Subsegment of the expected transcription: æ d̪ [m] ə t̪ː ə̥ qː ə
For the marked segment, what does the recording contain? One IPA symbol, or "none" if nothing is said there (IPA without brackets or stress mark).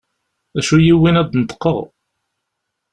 n